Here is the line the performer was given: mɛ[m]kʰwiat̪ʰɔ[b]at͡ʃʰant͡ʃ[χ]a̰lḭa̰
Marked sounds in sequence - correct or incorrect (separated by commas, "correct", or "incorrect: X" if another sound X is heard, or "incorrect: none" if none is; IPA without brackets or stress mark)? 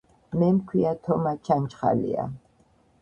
correct, incorrect: m, correct